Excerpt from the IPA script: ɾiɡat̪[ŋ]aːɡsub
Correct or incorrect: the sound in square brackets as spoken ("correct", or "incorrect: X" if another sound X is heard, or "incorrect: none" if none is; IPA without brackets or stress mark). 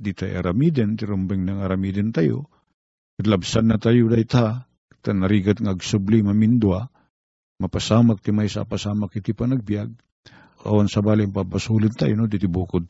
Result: correct